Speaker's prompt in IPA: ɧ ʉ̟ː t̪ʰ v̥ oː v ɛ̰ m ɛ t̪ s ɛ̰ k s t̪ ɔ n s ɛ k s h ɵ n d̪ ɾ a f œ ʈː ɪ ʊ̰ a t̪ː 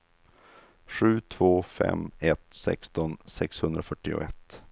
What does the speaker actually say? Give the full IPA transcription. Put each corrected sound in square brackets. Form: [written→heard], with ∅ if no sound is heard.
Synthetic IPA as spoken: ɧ ʉ̟ː t̪ʰ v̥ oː [v→f] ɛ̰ m ɛ t̪ s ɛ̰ k s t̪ ɔ n s ɛ k s h ɵ n d̪ ɾ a f œ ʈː ɪ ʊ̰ [a→ɛ] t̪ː